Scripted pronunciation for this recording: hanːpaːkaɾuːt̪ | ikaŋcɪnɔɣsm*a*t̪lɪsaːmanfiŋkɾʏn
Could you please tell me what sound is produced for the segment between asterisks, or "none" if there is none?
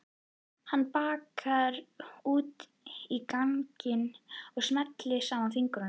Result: ɛ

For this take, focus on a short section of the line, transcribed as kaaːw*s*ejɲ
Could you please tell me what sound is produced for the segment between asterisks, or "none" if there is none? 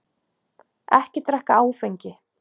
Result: f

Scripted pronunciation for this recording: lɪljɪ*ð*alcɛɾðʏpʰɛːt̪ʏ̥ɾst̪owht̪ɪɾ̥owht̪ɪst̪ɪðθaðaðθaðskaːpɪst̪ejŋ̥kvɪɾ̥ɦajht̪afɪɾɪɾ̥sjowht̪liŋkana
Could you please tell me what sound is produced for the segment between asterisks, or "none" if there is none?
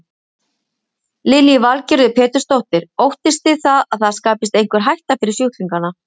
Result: v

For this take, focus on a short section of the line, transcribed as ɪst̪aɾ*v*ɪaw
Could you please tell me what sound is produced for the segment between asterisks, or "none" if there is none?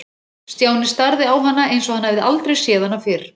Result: ð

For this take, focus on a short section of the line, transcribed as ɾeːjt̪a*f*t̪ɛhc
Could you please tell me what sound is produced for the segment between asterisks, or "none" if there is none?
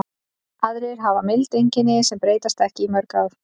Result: s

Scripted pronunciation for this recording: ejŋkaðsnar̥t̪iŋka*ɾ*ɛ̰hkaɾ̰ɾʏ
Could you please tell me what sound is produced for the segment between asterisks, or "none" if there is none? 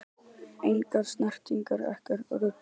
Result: ɾ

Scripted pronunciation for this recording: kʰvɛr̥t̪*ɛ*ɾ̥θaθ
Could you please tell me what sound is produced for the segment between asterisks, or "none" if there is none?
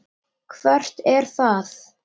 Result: ɛ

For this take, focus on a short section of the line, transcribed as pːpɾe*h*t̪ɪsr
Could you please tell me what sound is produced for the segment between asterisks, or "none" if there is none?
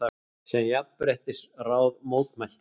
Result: h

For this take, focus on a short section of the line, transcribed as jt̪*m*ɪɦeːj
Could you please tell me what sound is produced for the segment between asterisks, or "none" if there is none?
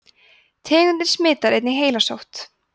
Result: n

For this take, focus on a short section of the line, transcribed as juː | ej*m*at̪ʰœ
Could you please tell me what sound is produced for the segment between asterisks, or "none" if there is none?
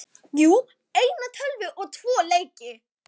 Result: n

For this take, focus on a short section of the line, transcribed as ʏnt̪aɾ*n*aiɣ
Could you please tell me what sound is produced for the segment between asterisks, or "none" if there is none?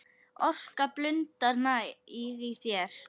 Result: n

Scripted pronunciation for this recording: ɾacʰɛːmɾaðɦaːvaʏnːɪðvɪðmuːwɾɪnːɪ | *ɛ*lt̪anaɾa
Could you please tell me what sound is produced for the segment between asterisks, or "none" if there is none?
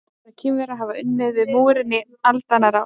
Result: a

